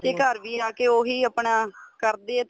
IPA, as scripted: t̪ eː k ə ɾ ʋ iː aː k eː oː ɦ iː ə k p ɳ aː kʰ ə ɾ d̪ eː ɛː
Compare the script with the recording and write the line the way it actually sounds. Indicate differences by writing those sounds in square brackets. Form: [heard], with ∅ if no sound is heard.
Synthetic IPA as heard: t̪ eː k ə ɾ ʋ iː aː k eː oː ɦ iː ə [∅] p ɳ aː [k] ə ɾ d̪ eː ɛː